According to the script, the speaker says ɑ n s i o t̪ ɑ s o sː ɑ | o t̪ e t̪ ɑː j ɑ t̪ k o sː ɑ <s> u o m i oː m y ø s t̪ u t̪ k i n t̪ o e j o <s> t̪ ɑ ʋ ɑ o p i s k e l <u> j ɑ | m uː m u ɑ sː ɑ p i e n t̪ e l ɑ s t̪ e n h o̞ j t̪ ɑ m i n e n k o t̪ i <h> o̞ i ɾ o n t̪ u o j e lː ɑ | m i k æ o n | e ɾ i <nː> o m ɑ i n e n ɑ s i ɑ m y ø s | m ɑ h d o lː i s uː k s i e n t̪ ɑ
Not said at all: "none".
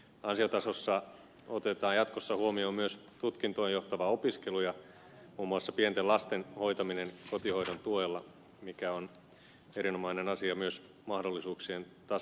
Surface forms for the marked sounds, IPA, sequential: h, h, u, h, n

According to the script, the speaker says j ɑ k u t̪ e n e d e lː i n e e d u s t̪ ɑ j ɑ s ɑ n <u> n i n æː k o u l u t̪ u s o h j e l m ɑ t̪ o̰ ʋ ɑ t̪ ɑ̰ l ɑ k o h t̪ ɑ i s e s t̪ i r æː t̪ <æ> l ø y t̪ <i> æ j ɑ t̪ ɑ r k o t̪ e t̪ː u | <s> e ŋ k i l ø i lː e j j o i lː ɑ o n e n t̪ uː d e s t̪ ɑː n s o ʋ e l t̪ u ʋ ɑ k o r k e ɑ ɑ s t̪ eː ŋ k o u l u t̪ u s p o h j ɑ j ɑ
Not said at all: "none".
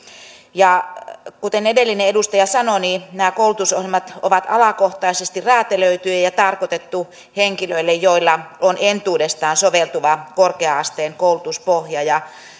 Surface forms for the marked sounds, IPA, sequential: o, e, y, h

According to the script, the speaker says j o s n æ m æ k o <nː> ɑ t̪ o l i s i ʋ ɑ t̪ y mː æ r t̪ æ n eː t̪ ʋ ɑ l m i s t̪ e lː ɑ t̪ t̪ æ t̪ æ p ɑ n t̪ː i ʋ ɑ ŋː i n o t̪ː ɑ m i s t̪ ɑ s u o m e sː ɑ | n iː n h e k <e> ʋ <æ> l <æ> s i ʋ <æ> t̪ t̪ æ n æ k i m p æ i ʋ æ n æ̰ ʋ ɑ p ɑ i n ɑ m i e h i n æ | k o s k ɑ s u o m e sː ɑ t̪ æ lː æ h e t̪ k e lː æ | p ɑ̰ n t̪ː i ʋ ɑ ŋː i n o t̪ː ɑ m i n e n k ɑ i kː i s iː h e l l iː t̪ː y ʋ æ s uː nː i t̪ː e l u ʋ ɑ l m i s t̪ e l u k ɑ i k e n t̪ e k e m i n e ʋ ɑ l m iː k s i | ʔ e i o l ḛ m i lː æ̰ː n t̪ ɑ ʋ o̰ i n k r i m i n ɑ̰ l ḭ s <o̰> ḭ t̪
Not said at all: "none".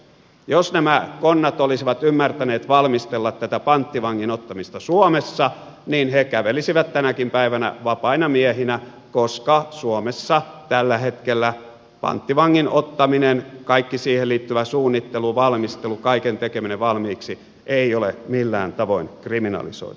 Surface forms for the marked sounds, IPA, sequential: nː, æ, e, i, æ, o̰

